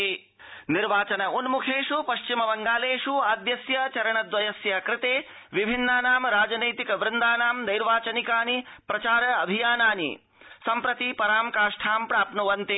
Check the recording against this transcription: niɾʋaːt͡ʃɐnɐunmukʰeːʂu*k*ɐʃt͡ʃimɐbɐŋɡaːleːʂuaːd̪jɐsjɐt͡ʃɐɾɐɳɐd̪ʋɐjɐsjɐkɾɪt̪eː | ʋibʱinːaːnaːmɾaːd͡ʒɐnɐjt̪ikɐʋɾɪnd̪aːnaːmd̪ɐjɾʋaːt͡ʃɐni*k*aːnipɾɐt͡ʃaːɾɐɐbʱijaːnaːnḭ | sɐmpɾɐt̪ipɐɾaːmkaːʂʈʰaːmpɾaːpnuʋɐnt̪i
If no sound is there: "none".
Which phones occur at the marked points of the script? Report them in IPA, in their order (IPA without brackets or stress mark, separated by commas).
p, k